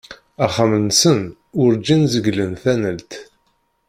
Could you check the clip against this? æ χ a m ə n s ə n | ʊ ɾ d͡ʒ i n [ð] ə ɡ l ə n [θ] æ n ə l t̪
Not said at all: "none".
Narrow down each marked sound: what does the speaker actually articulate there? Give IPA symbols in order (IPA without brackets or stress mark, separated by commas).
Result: z, θ